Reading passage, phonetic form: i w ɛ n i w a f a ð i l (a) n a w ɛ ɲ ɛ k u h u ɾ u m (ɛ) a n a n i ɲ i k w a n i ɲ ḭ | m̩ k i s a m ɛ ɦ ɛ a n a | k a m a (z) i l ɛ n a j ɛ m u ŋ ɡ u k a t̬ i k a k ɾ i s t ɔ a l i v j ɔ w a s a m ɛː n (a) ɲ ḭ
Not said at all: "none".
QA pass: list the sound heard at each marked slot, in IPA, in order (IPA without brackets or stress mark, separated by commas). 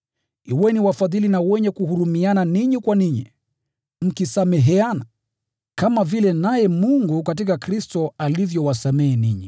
i, i, v, i